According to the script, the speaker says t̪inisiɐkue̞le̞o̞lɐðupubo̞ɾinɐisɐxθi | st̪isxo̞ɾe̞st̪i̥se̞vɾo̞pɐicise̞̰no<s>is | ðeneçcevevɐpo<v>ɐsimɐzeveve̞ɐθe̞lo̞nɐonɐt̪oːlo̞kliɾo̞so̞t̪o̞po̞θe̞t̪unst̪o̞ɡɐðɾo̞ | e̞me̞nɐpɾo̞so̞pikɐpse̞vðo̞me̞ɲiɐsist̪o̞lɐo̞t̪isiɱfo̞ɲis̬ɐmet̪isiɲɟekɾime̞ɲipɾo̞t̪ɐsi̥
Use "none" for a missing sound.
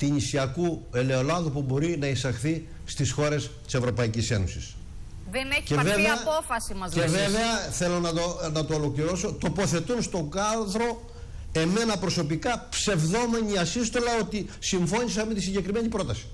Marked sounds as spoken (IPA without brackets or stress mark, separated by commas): s, f